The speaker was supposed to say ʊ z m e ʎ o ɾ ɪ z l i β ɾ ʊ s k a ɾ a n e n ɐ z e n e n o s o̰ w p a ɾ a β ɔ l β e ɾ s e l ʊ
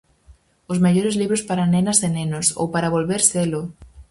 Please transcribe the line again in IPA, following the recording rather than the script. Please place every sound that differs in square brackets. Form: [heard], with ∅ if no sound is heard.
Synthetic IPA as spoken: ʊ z m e ʎ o ɾ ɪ z l i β ɾ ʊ s [p] a ɾ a n e n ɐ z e n e n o s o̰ w p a ɾ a β [o] l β e ɾ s e l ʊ